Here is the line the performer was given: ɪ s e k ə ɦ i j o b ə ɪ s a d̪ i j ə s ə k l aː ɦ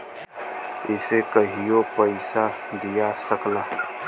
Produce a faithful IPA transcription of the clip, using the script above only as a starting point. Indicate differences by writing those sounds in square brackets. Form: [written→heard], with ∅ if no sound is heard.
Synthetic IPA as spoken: ɪ s e k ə ɦ i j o [b→p] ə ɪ s a d̪ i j [ə→a] s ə k l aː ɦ